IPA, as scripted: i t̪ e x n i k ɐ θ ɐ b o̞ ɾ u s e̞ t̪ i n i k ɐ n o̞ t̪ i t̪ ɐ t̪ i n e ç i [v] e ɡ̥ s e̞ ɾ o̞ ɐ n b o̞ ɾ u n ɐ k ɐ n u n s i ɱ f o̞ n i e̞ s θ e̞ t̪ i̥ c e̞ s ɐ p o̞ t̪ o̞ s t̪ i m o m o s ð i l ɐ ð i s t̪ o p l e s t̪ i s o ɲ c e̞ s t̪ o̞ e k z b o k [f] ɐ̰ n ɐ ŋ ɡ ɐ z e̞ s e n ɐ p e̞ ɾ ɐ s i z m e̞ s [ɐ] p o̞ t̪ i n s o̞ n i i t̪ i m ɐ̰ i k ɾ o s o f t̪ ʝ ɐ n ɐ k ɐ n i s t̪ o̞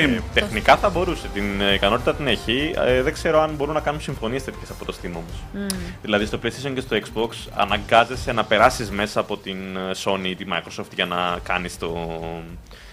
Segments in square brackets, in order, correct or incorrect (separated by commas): incorrect, incorrect, incorrect